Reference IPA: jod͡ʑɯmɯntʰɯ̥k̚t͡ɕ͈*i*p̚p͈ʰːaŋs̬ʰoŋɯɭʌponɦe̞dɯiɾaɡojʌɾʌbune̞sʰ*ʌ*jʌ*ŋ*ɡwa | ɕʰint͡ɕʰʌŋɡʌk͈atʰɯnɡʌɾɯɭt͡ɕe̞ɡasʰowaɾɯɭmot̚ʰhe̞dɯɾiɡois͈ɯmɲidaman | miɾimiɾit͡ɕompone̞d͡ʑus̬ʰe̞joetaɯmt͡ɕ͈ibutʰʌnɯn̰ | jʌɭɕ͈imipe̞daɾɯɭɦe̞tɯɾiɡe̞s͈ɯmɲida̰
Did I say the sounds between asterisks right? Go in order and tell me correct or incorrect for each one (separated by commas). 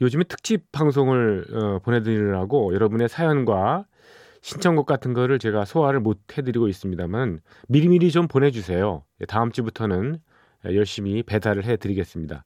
correct, incorrect, incorrect